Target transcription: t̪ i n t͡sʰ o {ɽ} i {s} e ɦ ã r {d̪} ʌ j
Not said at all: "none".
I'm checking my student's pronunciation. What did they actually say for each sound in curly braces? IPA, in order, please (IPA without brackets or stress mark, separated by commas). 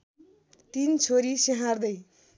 ɾ, s, d̪